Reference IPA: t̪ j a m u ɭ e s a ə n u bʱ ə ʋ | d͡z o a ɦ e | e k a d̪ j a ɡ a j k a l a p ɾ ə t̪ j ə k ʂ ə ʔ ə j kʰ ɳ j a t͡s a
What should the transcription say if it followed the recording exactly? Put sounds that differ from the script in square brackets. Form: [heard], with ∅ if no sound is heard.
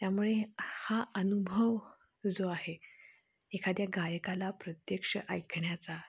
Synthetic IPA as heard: t̪ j a m u ɭ e [h] a ə n u bʱ ə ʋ | d͡z o a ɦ e | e [kʰ] a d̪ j a ɡ a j k a l a p ɾ ə t̪ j ə k ʂ ə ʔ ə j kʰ ɳ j a t͡s a